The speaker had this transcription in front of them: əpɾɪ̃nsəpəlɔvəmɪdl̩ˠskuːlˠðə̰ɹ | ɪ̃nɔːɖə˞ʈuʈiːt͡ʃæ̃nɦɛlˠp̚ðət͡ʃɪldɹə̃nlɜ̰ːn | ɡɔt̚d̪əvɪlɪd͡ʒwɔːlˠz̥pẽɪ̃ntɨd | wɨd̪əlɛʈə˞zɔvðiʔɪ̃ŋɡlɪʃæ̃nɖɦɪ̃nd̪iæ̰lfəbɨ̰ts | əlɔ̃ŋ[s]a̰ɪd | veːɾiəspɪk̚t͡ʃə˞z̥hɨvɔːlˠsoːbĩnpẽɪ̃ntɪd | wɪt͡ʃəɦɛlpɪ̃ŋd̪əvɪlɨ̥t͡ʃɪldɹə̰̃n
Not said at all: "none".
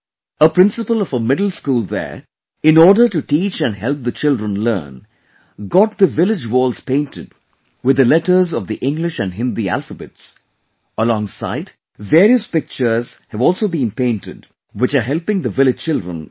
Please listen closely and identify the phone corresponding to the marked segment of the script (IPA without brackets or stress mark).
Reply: s